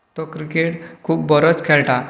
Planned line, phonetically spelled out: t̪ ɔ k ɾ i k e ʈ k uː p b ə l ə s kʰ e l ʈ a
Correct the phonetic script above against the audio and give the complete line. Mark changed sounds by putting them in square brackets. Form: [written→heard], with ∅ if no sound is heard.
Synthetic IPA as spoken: t̪ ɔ k ɾ i k e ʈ [k→kʰ] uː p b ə [l→ɾ] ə [s→t͡s] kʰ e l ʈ a